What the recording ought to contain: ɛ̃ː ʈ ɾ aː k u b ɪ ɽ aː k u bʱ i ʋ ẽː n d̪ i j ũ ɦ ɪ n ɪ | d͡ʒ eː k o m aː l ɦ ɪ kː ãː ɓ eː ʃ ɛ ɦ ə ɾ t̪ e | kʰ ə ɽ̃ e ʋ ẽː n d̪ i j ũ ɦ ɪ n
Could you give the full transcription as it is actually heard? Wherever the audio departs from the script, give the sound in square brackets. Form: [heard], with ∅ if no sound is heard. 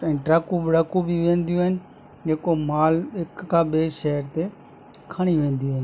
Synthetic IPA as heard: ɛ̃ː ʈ ɾ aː k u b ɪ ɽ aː k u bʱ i ʋ ẽː n d̪ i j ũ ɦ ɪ n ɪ | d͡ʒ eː k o m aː l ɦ ɪ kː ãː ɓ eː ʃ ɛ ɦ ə ɾ t̪ e | kʰ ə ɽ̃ [i] ʋ ẽː n d̪ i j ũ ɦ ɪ n